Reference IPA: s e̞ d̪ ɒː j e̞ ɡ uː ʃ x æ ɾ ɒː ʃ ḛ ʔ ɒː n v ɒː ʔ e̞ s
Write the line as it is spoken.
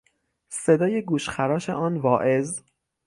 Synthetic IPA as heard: s e̞ d̪ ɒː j e̞ ɡ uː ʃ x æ ɾ ɒː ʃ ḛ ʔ ɒː n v ɒː ʔ e̞ z